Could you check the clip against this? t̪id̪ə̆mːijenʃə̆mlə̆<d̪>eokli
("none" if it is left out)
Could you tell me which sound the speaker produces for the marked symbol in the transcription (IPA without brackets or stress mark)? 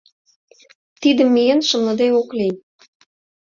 d̪